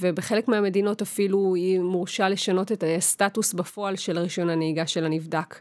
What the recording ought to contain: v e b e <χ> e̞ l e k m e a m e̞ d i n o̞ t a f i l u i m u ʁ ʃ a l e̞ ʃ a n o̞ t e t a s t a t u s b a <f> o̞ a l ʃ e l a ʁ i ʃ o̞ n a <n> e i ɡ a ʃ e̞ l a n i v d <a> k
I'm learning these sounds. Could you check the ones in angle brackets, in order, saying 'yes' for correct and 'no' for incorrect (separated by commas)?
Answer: yes, yes, yes, yes